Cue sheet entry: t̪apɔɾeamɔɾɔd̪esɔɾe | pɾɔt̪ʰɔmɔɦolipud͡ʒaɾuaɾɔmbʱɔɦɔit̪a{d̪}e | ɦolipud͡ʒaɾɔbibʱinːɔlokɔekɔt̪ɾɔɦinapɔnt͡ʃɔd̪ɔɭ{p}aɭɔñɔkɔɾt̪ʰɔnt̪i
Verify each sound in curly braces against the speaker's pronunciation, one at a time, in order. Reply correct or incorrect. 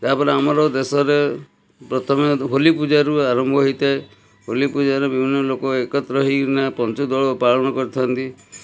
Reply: incorrect: none, correct

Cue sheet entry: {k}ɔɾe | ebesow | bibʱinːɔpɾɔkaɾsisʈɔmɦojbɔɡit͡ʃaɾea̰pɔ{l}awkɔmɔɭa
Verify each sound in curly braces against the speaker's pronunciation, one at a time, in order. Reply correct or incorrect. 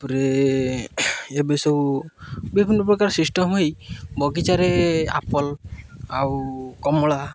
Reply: incorrect: p, correct

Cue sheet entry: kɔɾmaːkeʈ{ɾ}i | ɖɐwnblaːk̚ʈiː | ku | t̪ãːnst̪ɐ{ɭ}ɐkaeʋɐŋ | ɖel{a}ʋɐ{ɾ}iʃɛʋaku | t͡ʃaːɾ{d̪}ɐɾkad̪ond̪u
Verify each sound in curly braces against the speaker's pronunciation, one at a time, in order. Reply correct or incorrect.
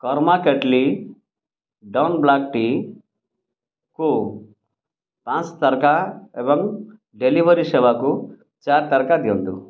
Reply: incorrect: l, incorrect: ɾ, incorrect: i, correct, incorrect: t̪

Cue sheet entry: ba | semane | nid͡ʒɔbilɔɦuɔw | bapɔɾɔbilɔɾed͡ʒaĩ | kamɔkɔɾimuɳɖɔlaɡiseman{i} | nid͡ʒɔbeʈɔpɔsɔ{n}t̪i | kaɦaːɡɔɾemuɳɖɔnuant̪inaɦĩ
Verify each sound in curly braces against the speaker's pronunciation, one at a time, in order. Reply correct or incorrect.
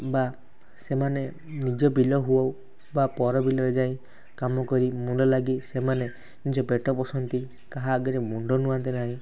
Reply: incorrect: e, correct

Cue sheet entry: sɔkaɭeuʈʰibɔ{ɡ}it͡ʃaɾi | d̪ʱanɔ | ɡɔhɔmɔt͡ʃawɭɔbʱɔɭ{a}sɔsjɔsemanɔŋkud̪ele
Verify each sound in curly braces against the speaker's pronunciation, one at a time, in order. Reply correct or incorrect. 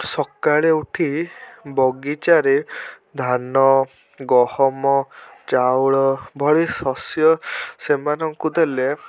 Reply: correct, incorrect: i

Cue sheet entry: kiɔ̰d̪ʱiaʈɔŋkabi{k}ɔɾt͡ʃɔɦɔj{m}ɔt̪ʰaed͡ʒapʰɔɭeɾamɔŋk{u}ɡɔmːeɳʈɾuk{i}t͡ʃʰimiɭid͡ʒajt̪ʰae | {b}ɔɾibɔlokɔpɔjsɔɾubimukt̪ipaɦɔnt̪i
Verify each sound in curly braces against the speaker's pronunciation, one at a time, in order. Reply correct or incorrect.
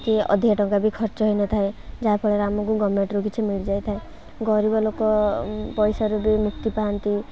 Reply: incorrect: kʰ, incorrect: n, correct, correct, incorrect: ɡ

